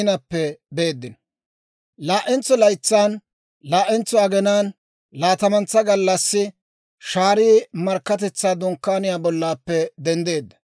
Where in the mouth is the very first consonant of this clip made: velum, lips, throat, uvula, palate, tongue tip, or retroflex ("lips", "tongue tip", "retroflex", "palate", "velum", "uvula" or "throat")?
tongue tip